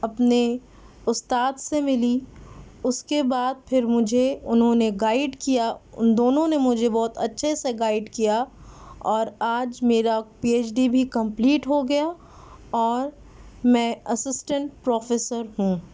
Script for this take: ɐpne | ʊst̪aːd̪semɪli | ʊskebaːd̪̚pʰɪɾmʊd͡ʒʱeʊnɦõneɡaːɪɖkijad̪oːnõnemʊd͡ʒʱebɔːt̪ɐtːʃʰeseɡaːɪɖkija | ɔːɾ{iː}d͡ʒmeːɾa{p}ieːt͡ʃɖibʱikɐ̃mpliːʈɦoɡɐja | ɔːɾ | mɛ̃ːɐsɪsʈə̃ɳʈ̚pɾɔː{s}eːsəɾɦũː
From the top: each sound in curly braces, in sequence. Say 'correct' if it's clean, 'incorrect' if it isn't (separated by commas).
incorrect, correct, incorrect